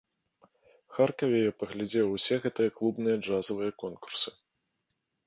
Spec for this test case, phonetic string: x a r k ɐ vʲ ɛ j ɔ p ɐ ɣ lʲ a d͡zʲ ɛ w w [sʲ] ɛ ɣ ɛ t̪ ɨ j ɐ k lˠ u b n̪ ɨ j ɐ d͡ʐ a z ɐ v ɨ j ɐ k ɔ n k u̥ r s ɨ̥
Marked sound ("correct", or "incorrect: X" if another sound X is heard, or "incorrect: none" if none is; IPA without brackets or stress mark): correct